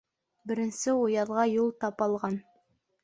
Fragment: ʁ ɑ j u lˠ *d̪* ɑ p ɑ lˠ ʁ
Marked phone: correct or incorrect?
incorrect